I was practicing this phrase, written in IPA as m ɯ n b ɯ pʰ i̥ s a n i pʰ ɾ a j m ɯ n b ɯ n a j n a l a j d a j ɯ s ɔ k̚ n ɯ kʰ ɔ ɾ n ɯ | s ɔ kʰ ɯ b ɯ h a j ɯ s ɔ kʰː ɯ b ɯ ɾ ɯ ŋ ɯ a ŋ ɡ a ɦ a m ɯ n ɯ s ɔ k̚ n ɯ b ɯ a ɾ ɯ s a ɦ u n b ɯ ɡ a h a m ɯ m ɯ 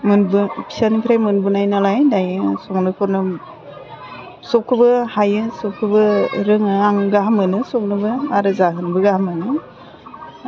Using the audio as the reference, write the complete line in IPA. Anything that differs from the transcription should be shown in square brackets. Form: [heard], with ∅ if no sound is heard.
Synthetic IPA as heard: m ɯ n b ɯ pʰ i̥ s a n i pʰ ɾ a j m ɯ n b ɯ n a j n a l a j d a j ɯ s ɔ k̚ n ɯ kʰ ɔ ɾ n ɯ | s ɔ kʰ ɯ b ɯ h a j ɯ s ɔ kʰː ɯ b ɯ ɾ ɯ ŋ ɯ a ŋ ɡ a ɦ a m ɯ n ɯ s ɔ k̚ n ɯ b ɯ a ɾ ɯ [z] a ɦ [ɯ] n b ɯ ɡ a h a m ɯ [n] ɯ

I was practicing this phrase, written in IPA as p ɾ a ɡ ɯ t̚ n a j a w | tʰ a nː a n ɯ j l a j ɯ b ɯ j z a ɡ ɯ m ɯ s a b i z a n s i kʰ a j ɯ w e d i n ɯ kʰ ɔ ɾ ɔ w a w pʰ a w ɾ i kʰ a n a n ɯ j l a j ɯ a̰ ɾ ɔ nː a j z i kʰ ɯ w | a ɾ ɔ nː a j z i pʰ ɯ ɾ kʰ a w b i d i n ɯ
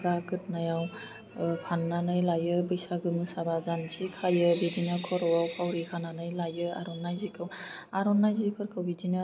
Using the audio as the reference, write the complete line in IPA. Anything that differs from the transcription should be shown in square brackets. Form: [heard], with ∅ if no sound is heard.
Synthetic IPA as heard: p ɾ a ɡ ɯ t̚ n a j a w | [pʰ] a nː a n ɯ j l a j ɯ b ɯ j [s] a ɡ ɯ m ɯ s a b [a] z a n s i kʰ a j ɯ [b] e d i n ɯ kʰ ɔ ɾ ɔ w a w pʰ a w ɾ i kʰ a n a n ɯ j l a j ɯ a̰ ɾ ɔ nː a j z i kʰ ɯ w | a ɾ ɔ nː a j z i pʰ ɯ ɾ kʰ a w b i d i n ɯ

